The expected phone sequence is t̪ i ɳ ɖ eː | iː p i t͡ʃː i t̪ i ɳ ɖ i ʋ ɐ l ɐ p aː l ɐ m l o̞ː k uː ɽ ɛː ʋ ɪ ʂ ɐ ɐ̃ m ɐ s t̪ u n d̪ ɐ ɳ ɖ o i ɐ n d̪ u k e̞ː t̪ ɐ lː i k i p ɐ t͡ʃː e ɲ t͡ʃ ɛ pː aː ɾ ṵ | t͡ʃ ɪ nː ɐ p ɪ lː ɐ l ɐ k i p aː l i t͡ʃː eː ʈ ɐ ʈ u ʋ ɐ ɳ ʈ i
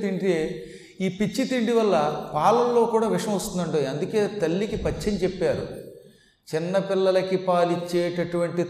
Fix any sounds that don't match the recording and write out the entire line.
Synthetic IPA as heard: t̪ i ɳ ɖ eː | iː p i t͡ʃː i t̪ i ɳ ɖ i ʋ ɐ lː ɐ p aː l ɐ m l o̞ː k uː ɽ aː ʋ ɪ ʂ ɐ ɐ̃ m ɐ s t̪ u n d̪ ɐ ɳ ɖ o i ɐ n d̪ u k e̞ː t̪ ɐ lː i k i p ɐ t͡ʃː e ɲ t͡ʃ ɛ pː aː ɾ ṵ | t͡ʃ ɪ nː ɐ p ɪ lː ɐ l ɐ k i p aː l i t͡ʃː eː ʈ ɐ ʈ u ʋ ɐ ɳ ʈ i